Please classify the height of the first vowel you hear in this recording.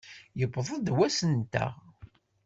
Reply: mid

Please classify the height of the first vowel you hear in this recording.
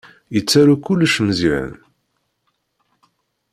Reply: mid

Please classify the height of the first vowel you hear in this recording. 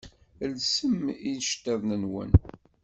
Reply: mid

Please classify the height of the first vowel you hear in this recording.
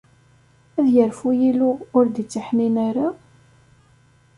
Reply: low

